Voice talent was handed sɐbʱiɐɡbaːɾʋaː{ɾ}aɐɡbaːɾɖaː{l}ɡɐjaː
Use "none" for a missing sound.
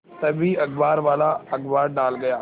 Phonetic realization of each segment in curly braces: l, l

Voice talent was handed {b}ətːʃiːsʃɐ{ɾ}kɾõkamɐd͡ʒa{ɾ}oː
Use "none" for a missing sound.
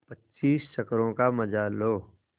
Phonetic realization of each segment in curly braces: p, none, l

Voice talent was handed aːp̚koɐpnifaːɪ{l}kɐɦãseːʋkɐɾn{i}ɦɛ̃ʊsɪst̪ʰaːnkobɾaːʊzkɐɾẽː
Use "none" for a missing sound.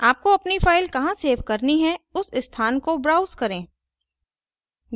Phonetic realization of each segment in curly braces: l, i

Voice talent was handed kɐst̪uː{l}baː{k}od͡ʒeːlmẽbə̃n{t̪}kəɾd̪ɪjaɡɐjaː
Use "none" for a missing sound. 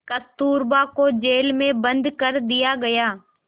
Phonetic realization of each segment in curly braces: ɾ, k, d̪

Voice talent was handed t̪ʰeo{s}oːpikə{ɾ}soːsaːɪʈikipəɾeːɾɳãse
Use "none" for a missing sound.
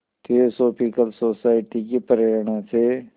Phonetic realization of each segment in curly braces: s, l

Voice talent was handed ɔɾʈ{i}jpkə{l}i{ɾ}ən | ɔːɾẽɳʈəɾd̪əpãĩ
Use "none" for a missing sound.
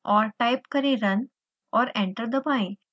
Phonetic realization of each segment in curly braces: a, ɾ, ɾ

